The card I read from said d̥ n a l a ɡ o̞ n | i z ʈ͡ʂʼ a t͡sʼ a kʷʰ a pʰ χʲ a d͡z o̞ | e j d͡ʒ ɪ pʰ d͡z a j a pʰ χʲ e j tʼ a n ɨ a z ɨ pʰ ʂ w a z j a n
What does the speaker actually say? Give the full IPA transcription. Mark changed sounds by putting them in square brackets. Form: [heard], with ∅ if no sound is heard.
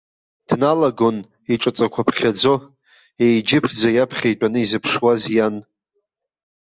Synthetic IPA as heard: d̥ n a l a ɡ o̞ n | i [∅] ʈ͡ʂʼ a t͡sʼ a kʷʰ a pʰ χʲ a d͡z o̞ | e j d͡ʒ ɪ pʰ d͡z a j a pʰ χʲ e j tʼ a n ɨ [i] z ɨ pʰ ʂ w a z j a n